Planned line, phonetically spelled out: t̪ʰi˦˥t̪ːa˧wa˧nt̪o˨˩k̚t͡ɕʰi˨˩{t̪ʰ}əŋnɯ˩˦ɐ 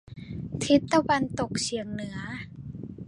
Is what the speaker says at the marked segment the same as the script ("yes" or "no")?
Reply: no